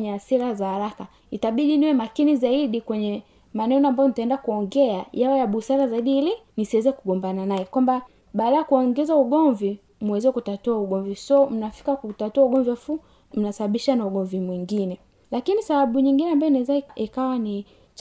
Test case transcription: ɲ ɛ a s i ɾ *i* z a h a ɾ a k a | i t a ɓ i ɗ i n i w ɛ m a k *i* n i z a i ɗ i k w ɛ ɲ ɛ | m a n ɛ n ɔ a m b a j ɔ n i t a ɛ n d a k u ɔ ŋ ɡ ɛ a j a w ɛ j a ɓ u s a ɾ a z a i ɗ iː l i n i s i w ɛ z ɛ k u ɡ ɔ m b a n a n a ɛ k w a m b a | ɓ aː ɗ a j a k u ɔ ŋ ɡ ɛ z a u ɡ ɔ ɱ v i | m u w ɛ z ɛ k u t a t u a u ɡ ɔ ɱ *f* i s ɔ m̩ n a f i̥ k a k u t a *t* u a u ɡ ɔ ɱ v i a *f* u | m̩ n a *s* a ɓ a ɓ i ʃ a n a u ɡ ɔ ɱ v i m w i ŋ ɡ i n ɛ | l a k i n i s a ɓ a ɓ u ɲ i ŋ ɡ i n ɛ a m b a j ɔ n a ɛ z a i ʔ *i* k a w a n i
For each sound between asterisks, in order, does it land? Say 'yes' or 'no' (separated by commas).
no, yes, no, yes, yes, yes, yes